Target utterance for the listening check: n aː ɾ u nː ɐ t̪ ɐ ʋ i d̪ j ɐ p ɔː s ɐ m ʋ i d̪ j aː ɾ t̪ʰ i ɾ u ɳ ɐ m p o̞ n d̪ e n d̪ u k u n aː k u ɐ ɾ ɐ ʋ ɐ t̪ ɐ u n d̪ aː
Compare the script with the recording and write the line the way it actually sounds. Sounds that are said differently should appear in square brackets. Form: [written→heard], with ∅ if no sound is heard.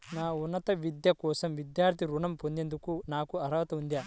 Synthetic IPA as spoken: n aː [ɾ→∅] u nː ɐ t̪ ɐ ʋ i d̪ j ɐ [p→k] ɔː s ɐ m ʋ i d̪ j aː ɾ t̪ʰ i ɾ u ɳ ɐ m p o̞ n d̪ e n d̪ u k u n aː k u ɐ ɾ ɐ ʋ ɐ t̪ ɐ u n d̪ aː